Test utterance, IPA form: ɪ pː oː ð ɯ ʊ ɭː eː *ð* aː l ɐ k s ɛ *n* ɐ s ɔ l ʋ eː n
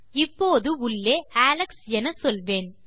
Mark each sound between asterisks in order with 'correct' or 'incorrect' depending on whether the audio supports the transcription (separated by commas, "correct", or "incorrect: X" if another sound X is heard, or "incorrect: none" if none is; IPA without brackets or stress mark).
incorrect: none, correct